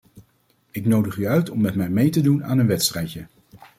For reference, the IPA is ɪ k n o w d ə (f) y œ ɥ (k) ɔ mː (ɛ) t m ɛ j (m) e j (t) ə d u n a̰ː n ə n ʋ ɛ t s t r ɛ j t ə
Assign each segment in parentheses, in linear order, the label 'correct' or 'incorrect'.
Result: incorrect, incorrect, correct, correct, correct

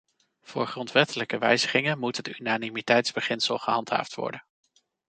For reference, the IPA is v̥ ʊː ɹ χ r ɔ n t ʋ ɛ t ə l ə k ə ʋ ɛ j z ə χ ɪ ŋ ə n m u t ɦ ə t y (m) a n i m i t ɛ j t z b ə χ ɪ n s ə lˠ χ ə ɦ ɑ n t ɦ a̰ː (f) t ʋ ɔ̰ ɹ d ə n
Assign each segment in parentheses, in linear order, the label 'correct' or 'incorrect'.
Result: incorrect, correct

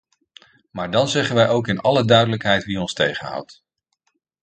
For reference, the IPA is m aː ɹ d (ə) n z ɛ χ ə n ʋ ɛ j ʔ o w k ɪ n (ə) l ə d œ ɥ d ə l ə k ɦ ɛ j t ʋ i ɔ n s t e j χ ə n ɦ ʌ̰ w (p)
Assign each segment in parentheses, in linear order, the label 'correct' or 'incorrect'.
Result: incorrect, incorrect, incorrect

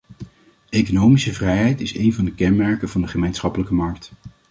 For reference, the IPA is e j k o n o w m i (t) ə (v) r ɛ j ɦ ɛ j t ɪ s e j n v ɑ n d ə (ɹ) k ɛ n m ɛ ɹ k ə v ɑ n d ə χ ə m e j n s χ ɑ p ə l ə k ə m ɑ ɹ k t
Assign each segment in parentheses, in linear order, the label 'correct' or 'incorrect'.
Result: incorrect, correct, incorrect

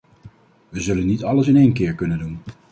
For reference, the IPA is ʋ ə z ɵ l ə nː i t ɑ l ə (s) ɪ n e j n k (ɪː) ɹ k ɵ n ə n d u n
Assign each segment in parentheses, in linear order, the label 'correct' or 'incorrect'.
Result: correct, correct

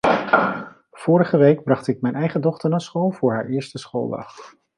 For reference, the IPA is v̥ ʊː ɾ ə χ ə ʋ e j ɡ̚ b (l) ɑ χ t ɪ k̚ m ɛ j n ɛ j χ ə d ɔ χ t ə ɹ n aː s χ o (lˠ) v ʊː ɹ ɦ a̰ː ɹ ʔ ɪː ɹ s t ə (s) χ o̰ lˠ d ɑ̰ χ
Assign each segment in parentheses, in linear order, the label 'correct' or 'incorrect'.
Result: incorrect, correct, correct

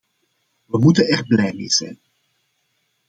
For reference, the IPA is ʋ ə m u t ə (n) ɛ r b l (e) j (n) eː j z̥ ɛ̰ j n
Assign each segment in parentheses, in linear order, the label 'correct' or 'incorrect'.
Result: correct, incorrect, incorrect

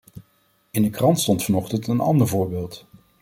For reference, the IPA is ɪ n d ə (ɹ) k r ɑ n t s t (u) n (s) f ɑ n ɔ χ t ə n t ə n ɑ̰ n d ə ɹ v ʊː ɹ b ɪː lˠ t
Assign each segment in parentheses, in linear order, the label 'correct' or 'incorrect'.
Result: incorrect, incorrect, incorrect

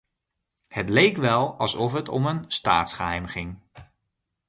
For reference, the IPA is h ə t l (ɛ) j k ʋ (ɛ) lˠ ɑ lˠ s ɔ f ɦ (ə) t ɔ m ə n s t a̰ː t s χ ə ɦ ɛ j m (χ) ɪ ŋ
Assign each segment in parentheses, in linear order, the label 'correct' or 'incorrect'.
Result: incorrect, correct, correct, correct

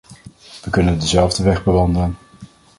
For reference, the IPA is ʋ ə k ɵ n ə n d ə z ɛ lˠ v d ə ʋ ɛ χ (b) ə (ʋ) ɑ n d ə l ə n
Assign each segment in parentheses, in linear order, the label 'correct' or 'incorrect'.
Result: correct, correct

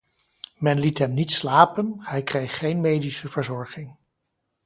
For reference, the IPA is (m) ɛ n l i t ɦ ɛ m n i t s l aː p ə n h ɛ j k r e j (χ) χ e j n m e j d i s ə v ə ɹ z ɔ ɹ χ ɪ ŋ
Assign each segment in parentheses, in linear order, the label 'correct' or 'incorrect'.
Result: correct, correct

